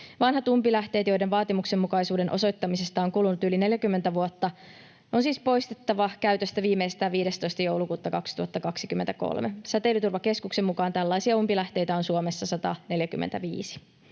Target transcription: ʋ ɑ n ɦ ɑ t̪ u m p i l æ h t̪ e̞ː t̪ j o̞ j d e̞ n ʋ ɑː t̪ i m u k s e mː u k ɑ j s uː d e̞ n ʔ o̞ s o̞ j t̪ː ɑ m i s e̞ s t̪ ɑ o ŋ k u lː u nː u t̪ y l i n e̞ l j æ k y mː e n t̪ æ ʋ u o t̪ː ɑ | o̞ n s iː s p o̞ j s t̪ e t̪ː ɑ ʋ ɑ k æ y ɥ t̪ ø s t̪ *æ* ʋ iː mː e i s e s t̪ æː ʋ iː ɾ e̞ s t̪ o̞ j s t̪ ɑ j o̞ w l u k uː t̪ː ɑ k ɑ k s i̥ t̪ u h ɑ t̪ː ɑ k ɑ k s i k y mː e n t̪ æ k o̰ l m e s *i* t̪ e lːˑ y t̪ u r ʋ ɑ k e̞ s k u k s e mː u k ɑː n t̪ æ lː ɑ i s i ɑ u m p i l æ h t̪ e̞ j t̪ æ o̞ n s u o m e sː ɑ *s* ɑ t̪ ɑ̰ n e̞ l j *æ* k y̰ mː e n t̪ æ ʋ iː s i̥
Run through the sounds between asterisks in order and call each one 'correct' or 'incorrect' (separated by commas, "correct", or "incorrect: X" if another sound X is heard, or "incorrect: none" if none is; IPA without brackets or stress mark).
correct, incorrect: æ, correct, correct